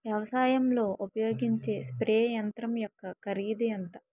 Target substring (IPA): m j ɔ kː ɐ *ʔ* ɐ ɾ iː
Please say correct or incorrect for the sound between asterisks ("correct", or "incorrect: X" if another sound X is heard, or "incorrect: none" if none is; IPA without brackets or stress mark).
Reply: incorrect: k